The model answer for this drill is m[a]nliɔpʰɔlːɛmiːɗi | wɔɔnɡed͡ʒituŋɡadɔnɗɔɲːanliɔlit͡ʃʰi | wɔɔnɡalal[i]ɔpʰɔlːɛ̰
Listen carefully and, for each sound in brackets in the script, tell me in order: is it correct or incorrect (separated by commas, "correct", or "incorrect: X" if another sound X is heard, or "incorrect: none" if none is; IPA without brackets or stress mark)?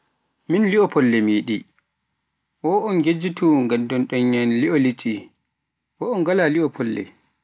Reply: incorrect: i, correct